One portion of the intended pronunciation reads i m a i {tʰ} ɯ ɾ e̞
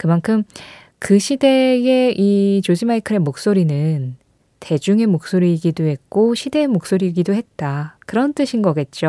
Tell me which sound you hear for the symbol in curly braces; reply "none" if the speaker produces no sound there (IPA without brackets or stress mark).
kʰ